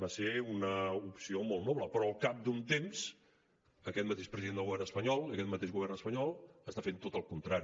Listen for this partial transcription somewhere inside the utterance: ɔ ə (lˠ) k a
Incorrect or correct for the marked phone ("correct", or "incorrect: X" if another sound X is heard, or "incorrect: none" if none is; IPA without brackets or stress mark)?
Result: correct